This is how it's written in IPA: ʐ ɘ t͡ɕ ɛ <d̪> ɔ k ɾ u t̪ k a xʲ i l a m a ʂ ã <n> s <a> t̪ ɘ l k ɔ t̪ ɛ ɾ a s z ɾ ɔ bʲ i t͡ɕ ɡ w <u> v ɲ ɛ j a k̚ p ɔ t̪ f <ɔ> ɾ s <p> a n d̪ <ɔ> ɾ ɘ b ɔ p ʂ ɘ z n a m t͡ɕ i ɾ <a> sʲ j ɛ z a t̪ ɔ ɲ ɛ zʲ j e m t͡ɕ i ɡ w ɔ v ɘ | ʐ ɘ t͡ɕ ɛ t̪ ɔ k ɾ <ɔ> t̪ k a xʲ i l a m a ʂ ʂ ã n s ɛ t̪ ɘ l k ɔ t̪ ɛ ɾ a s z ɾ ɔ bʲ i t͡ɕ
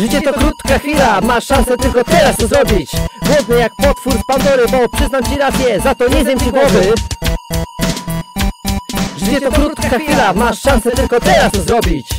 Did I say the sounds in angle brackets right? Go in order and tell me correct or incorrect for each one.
incorrect: t̪, correct, incorrect: ɛ, incorrect: ɔ, incorrect: u, correct, correct, correct, incorrect: u

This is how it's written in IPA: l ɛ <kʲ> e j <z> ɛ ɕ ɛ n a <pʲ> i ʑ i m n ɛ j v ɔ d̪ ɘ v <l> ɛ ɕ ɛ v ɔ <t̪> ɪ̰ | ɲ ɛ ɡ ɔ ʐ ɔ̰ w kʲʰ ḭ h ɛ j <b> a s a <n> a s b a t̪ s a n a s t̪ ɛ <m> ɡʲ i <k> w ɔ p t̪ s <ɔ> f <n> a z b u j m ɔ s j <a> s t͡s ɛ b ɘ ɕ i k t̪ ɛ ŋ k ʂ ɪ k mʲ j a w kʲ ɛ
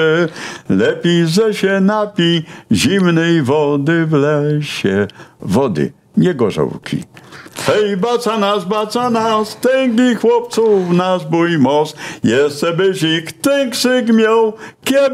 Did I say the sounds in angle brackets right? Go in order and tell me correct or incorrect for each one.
incorrect: pʲ, correct, correct, correct, incorrect: d̪, correct, correct, incorrect: ŋ, incorrect: x, incorrect: u, correct, incorrect: ɛ

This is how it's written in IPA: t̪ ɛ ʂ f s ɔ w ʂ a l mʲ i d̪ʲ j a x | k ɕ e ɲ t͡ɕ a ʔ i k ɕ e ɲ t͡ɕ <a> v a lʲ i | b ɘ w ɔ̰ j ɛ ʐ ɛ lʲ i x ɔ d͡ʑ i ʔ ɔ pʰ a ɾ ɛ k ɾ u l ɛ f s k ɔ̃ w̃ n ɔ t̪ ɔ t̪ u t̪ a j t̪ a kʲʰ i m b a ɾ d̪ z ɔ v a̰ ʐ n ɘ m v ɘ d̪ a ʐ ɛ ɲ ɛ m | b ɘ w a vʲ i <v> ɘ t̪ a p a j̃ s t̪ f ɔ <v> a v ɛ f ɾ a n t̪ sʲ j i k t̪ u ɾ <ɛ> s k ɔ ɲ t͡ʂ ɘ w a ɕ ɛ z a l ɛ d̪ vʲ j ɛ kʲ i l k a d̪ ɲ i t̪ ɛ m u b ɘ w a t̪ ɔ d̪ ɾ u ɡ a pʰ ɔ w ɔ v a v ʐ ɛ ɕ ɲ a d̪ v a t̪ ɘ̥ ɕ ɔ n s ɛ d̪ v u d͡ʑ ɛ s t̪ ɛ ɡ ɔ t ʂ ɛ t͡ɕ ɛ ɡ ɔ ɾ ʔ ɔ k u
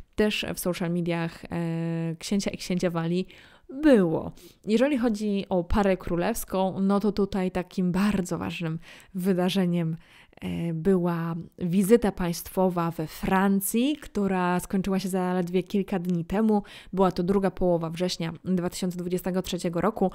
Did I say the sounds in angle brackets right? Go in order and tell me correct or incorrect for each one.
correct, incorrect: z, correct, incorrect: a

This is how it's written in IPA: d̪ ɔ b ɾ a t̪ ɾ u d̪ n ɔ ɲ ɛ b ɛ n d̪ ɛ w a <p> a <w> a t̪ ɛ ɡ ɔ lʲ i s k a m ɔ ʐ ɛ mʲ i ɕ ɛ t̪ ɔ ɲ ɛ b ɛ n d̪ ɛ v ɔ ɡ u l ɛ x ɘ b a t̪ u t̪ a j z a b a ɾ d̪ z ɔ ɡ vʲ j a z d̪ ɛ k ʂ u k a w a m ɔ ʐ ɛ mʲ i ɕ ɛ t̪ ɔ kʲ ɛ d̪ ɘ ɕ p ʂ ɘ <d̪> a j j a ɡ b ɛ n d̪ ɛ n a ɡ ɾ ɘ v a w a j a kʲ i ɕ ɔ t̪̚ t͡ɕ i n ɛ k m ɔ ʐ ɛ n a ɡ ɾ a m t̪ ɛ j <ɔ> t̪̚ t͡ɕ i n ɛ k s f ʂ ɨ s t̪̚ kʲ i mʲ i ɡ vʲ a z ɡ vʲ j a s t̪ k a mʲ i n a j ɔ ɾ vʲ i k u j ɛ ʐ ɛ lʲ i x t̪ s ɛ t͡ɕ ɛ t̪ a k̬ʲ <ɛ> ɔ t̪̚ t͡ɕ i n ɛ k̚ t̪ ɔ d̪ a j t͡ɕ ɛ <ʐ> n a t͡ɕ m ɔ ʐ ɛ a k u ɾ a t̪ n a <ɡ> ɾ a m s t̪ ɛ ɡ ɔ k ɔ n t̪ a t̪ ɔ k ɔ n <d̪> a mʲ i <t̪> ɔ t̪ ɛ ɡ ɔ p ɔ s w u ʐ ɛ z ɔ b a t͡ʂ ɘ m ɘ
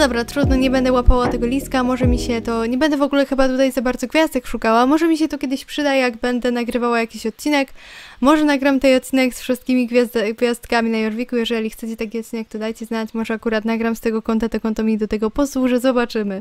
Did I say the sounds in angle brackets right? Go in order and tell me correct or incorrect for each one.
correct, correct, correct, correct, incorrect: i, incorrect: z, correct, incorrect: t̪, incorrect: d̪

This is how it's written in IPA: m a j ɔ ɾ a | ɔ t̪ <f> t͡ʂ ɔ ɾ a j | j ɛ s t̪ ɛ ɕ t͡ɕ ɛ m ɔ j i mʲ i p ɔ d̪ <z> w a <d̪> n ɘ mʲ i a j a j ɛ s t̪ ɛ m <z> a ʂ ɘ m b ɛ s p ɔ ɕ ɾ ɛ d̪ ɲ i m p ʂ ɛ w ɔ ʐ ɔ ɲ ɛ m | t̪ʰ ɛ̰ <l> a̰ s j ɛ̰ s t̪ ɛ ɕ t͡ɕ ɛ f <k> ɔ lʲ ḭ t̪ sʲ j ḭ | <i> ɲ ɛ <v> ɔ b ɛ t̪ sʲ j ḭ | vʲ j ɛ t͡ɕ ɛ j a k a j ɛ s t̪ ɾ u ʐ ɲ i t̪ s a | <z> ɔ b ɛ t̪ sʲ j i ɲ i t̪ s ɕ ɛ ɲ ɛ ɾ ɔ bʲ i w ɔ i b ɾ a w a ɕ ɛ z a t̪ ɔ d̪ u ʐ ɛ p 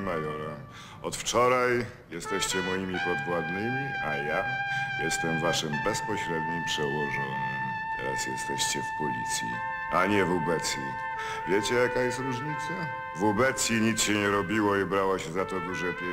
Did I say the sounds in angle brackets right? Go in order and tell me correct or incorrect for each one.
correct, incorrect: v, correct, incorrect: v, incorrect: ɾ, incorrect: p, incorrect: a, correct, incorrect: v

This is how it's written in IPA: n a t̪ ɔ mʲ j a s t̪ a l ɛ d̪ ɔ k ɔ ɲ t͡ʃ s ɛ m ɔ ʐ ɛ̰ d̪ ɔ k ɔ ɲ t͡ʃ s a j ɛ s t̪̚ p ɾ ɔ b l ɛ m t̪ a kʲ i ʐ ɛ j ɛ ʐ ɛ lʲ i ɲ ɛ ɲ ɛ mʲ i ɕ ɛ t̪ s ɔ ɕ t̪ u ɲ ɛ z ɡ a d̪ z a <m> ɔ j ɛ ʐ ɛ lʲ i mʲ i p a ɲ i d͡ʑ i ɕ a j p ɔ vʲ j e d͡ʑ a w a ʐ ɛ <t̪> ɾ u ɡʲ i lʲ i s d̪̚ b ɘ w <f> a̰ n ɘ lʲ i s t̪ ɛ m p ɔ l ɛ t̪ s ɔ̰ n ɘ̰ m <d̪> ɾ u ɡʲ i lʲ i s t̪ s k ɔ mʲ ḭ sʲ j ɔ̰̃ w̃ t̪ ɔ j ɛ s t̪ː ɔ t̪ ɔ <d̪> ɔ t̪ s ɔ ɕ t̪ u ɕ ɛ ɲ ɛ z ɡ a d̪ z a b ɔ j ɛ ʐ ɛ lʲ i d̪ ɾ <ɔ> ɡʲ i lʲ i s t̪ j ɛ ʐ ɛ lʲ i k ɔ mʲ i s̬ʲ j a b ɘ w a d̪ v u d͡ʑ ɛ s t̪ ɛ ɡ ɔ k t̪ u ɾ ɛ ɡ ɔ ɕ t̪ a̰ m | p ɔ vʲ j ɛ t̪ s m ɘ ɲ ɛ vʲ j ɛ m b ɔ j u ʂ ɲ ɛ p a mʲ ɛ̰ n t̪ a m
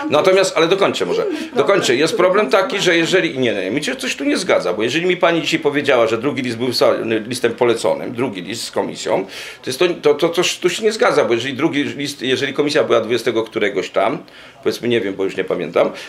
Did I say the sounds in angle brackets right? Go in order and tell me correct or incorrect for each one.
incorrect: b, incorrect: d̪, incorrect: s, correct, incorrect: t̪, incorrect: u

